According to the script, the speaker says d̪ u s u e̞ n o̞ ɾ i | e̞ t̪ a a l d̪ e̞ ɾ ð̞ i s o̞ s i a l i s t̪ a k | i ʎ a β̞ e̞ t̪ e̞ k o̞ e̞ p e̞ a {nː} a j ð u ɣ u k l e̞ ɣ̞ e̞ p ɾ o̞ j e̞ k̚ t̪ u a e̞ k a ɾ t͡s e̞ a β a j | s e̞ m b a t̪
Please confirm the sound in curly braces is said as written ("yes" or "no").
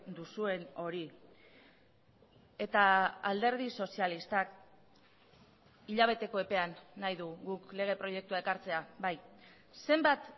yes